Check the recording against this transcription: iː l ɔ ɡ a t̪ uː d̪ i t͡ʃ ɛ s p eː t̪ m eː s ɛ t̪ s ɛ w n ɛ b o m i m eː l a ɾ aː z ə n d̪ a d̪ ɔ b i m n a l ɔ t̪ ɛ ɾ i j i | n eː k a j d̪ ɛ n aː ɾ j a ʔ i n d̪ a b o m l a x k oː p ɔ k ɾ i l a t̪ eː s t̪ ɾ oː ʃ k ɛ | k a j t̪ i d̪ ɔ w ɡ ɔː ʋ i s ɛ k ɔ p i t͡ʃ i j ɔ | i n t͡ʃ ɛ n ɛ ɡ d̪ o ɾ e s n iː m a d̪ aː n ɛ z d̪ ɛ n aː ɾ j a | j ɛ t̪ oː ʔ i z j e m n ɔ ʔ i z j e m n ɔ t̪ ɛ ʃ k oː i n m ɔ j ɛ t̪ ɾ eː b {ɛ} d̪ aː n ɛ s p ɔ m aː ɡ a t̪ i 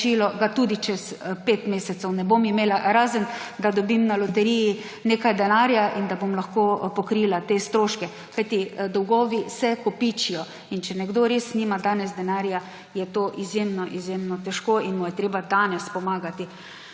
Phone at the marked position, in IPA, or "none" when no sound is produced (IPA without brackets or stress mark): a